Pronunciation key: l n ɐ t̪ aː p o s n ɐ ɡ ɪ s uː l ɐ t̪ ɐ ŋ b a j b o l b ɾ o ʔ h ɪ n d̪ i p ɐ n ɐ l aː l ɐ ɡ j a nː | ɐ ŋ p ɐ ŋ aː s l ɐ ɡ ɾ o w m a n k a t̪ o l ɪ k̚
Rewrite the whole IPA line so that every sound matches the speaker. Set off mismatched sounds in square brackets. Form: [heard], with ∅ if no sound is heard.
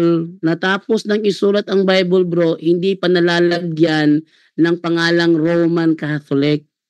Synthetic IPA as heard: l n ɐ t̪ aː p o s n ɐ [ŋ] ɪ s uː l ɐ t̪ ɐ ŋ b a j b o l b ɾ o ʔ h ɪ n d̪ i p ɐ n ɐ l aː l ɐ ɡ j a nː | ɐ ŋ p ɐ ŋ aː [∅] l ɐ [ŋ] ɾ o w m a n k a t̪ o l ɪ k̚